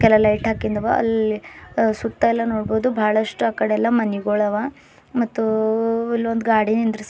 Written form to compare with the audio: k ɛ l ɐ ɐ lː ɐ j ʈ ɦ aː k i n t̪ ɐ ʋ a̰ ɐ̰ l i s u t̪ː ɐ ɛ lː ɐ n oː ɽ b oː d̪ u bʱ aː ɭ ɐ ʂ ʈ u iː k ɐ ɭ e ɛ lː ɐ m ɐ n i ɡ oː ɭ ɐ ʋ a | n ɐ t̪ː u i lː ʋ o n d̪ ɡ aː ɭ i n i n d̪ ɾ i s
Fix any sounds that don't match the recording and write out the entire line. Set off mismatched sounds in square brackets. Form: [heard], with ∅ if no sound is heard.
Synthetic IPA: k ɛ l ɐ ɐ [l] ɐ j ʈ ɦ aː k i n [d̪] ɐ ʋ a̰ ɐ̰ l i s u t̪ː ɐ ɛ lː ɐ n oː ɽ b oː d̪ u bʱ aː ɭ ɐ ʂ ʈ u [aː] k ɐ [ɽ] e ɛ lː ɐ m ɐ n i ɡ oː ɭ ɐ ʋ a | [m] ɐ t̪ː u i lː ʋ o n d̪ ɡ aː [ɽ] i n i n d̪ ɾ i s